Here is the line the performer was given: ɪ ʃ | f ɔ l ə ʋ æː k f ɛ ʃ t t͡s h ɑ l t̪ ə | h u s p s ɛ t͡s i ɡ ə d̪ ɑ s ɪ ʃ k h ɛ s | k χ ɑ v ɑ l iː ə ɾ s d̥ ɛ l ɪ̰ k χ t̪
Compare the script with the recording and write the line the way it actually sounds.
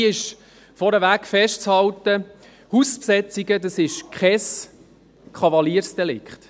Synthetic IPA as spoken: ɪ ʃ | f ɔ ɾ ə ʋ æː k f ɛ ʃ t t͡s h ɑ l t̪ ə | h u s p s ɛ t͡s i ɡ ə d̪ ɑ s ɪ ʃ k χ ɛ s | k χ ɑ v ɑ l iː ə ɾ s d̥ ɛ l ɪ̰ k χ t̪